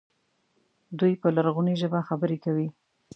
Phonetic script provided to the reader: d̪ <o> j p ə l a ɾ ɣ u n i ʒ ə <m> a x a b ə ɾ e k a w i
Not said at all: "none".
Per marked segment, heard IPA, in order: u, b

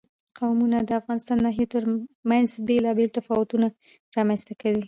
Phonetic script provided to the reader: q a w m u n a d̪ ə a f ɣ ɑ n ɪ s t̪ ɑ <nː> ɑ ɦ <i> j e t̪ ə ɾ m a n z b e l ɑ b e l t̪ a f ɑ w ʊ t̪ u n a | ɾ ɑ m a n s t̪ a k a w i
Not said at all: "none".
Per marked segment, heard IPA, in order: nː, i

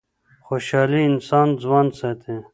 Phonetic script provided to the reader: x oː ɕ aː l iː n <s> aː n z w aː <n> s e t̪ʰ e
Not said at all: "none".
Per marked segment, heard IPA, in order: s, n

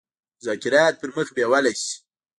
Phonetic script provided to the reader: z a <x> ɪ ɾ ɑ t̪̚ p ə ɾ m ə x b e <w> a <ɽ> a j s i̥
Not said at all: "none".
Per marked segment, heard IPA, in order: k, w, l

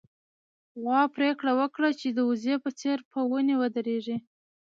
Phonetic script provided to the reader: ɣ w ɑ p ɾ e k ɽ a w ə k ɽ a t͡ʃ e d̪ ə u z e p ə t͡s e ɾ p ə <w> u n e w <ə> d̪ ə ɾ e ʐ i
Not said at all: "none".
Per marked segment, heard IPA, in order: w, ə

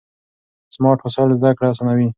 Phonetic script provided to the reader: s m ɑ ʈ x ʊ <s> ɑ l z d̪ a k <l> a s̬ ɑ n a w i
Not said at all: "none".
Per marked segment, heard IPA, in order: s, ɽ

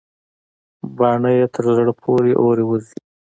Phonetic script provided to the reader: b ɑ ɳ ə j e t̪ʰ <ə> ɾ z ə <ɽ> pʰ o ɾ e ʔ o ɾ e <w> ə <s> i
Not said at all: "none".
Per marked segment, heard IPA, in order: ə, ɽ, w, z

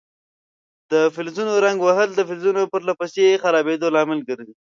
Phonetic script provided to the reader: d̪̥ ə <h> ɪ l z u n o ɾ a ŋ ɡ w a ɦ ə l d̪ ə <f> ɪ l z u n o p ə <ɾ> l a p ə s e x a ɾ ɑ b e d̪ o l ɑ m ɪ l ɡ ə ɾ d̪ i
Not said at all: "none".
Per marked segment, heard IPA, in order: f, f, ɾ

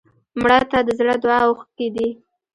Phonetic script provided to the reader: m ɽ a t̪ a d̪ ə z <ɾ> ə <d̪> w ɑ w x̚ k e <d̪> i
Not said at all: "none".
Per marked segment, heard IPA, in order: ɽ, d̪, d̪

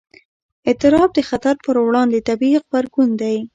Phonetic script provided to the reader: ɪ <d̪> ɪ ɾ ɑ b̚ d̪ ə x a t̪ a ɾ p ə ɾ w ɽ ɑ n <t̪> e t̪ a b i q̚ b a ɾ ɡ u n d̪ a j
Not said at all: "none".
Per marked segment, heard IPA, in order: t̪, d̪

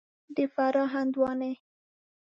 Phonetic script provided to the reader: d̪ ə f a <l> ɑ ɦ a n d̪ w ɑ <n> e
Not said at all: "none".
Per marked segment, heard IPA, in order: ɾ, n

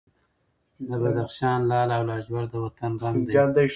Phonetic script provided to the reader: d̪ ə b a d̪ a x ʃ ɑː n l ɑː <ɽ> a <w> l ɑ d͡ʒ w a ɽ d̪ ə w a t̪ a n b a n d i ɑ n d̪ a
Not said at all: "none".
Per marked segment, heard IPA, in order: l, w

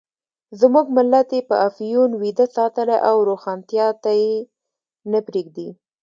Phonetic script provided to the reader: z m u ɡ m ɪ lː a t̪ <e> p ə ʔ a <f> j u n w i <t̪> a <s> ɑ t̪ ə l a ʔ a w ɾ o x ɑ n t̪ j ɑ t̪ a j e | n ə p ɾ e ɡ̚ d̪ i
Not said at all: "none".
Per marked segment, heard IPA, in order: e, f, d̪, s

